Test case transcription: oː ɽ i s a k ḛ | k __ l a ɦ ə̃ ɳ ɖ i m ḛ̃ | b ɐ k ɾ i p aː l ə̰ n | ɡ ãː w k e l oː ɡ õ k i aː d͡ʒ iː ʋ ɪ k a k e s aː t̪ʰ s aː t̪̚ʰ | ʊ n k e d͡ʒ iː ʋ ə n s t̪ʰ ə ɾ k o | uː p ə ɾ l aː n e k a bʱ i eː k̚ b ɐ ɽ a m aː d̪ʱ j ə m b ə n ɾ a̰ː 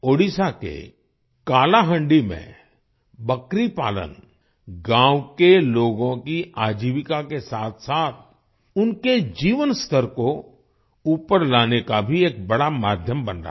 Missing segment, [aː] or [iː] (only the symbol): aː